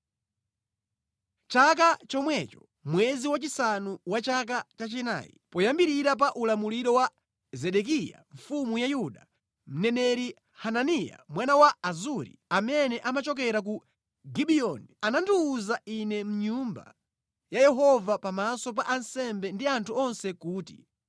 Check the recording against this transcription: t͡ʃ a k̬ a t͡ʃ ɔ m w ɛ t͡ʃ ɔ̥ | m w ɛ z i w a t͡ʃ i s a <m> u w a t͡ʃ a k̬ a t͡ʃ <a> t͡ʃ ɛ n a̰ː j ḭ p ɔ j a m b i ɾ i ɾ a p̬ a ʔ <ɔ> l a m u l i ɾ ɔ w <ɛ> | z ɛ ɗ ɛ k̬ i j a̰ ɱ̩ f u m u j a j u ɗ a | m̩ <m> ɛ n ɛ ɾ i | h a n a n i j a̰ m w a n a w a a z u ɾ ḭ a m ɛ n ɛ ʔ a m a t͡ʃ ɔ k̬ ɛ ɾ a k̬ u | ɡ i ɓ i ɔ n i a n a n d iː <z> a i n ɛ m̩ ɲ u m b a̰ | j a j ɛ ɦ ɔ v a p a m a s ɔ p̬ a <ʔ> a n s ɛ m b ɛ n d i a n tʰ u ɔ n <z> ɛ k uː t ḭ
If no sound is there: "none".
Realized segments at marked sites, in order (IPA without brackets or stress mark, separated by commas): n, a, u, a, n, z, ʔ, s